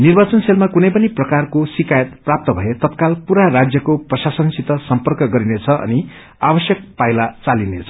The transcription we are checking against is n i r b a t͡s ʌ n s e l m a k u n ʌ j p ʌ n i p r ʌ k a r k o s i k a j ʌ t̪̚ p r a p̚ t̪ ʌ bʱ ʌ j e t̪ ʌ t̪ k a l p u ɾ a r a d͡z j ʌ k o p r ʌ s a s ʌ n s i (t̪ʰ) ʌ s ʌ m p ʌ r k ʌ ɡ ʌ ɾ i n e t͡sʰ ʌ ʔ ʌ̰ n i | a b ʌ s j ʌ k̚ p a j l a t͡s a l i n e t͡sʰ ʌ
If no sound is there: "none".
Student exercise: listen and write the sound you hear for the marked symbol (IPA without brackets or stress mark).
t̪